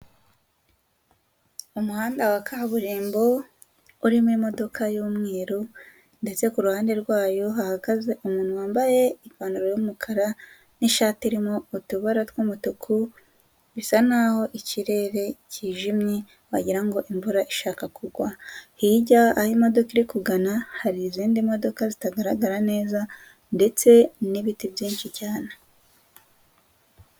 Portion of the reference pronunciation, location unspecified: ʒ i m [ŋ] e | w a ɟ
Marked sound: incorrect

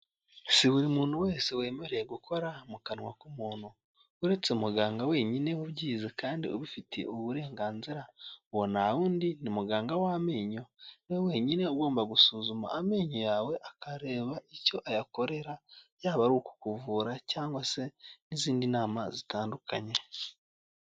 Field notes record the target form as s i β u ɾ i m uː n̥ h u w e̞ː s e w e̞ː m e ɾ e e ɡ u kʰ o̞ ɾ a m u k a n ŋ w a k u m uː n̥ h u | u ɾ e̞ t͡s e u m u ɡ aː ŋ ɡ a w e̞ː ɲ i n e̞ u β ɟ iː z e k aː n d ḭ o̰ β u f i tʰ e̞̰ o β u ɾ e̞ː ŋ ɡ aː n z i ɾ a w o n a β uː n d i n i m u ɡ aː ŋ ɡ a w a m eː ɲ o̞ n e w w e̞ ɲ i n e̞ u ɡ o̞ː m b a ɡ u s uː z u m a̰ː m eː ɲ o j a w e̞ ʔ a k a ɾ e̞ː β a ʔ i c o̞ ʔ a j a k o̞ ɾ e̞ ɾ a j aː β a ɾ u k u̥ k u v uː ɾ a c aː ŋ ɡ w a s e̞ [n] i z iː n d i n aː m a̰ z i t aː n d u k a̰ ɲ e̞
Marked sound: correct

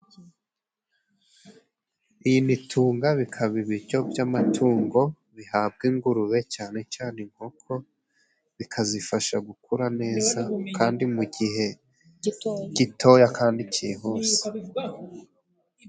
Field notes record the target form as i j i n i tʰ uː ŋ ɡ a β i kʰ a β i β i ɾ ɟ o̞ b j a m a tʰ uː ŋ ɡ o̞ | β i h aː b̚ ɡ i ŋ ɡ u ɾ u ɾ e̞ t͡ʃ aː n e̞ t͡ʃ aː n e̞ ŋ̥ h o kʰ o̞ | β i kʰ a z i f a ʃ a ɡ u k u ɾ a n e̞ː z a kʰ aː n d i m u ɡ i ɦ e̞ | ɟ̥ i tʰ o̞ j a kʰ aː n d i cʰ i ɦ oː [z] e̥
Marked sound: incorrect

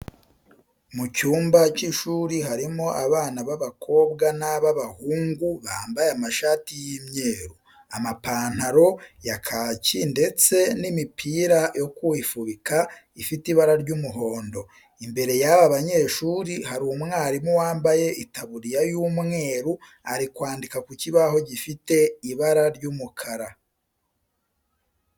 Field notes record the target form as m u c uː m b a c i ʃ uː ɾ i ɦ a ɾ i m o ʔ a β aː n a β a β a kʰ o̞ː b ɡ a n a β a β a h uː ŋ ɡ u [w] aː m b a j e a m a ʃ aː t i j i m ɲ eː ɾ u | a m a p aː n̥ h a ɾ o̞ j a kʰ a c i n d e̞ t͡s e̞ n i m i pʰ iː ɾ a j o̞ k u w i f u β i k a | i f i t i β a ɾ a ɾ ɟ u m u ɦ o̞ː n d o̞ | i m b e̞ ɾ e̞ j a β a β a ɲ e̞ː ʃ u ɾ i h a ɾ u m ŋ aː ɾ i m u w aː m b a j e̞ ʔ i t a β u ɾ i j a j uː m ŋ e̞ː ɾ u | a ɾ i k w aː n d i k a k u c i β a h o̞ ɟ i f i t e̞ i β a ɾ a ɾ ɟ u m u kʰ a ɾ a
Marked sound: incorrect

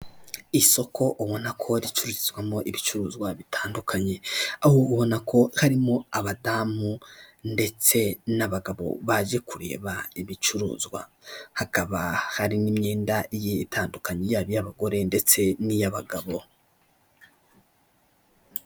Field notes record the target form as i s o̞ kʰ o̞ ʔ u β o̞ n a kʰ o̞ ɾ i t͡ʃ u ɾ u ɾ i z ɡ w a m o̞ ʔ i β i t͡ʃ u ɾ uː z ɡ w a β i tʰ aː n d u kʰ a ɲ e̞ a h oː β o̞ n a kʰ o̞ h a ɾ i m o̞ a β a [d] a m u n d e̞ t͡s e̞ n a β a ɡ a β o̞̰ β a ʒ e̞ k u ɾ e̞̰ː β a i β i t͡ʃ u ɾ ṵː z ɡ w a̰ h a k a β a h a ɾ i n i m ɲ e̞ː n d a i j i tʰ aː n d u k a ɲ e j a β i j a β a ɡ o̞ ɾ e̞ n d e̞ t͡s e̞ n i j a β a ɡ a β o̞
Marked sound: correct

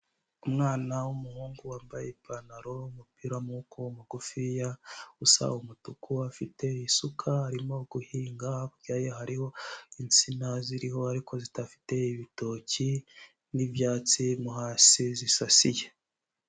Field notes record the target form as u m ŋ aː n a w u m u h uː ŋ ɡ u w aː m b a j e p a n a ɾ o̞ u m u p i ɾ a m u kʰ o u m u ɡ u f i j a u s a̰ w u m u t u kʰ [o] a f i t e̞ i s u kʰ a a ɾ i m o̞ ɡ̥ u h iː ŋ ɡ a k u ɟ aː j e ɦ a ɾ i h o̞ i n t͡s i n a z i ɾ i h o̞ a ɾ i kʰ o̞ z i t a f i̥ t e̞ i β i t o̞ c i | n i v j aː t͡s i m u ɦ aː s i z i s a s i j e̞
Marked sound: incorrect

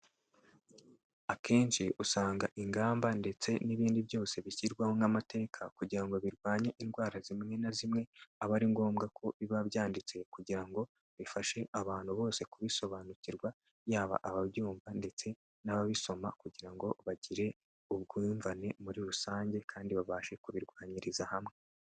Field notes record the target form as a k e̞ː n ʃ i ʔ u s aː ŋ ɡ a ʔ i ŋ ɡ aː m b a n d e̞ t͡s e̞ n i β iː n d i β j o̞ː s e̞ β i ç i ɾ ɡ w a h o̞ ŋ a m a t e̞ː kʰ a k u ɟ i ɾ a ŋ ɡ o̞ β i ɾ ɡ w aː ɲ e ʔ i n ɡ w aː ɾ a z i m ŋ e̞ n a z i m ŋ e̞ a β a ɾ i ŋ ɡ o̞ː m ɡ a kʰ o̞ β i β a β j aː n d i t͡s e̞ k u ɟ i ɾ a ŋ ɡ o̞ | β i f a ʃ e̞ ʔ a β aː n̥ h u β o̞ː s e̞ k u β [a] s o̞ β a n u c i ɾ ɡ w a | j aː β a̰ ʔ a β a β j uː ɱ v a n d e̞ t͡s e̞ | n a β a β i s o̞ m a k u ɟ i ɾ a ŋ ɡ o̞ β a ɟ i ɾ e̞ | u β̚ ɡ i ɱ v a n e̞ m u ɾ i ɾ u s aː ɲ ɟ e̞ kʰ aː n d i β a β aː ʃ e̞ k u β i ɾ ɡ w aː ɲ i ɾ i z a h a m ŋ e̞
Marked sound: incorrect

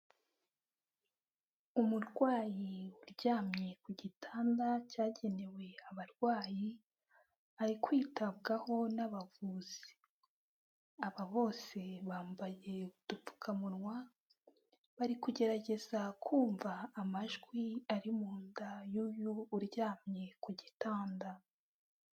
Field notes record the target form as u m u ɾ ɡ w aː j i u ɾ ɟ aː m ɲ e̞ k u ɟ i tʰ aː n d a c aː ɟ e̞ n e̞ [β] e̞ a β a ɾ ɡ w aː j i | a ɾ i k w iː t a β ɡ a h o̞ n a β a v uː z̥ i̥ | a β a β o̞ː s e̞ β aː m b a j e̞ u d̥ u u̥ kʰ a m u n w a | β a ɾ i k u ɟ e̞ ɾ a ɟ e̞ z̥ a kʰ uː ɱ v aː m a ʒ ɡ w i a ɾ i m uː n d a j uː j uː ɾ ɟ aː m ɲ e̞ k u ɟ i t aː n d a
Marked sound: incorrect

